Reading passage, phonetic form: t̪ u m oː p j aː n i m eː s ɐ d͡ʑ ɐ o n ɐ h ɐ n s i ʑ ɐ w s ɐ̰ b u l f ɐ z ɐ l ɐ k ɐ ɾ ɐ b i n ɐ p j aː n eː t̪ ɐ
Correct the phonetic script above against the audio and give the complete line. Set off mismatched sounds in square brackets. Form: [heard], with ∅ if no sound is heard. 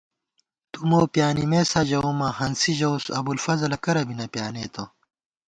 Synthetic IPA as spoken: t̪ u m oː p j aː n i m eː s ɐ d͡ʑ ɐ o [m] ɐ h ɐ n s i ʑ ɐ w s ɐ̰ b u l f ɐ z ɐ l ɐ k ɐ ɾ ɐ b i n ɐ p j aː n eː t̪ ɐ

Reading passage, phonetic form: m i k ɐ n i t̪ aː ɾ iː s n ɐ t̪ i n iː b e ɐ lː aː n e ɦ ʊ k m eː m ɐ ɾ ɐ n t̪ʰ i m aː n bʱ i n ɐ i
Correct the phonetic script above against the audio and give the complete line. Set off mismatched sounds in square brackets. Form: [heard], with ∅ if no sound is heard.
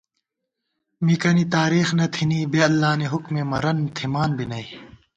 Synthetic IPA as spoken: m i k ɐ n i t̪ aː ɾ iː [x] n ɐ [t̪ʰ] i n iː b e ɐ lː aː n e ɦ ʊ k m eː m ɐ ɾ ɐ n t̪ʰ i m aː n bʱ i n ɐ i

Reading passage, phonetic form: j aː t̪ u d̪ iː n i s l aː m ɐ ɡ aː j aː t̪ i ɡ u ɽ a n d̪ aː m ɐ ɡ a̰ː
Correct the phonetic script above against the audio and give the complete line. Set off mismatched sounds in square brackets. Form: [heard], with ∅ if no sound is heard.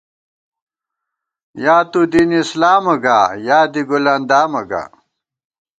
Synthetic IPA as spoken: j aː t̪ u d̪ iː n i s l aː m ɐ ɡ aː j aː [d̪] i ɡ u [l] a n d̪ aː m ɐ ɡ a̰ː

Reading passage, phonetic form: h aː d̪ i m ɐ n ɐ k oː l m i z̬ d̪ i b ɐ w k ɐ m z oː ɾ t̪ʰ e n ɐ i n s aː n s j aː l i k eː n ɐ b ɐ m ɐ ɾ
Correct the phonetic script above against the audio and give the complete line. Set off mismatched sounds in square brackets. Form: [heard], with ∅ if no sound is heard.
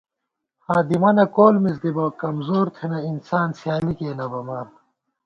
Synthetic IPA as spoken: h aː d̪ i m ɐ n ɐ k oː l m i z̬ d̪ i b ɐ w k ɐ m z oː ɾ t̪ʰ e n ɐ i n s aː n s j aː l i k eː n ɐ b ɐ m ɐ ɾ

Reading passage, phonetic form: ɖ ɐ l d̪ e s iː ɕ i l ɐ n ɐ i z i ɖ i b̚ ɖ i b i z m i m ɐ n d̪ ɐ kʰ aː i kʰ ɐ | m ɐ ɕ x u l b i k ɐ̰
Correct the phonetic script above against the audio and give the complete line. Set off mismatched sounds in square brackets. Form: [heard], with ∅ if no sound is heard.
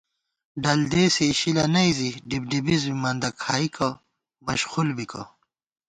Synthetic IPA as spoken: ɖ ɐ l d̪ e s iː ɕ i l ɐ n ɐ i z i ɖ i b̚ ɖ i b i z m i m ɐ n d̪ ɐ kʰ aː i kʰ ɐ | m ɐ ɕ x u l b i k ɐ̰

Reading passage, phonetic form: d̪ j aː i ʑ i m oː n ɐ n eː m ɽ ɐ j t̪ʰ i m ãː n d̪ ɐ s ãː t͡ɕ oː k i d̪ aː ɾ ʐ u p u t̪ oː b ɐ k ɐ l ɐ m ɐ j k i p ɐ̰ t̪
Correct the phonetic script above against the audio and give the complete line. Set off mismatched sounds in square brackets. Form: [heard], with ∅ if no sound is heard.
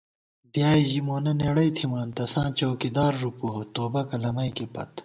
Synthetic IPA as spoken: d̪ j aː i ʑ i m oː n ɐ n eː [∅] ɽ ɐ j t̪ʰ i m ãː n [t̪] ɐ s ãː t͡ɕ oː k i d̪ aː ɾ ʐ u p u t̪ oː b ɐ k ɐ l ɐ m ɐ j k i p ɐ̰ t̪

